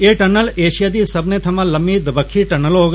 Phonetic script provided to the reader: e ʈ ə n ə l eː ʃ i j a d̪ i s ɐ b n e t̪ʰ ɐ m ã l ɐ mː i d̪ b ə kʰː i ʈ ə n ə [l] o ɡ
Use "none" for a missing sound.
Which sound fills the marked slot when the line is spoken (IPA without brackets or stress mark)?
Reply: l